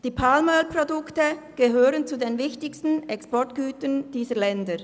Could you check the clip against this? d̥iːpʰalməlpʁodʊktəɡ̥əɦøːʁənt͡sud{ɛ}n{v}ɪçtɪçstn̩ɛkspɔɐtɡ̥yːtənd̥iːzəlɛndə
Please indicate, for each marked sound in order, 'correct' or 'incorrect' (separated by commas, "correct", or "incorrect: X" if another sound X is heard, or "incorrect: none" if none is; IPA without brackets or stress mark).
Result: incorrect: e, correct